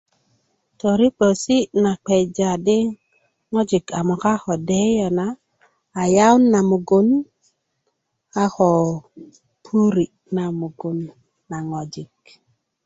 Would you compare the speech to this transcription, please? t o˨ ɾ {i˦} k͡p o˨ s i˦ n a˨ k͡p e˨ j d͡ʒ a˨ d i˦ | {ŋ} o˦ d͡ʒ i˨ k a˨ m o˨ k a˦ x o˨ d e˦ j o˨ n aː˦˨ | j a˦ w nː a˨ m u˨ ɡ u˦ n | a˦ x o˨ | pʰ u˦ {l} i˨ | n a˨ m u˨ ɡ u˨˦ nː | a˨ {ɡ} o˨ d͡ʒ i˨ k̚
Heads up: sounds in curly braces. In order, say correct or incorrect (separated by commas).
correct, correct, incorrect, incorrect